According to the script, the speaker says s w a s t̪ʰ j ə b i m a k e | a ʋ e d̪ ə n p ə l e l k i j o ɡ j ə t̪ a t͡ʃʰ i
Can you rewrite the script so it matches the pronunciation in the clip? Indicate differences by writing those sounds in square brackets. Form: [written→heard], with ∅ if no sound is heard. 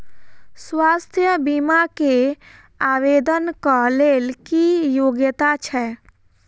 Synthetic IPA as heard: s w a s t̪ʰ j ə b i m a k e | a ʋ e d̪ ə n [p→k] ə l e l k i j o ɡ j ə t̪ a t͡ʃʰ [i→ɛ]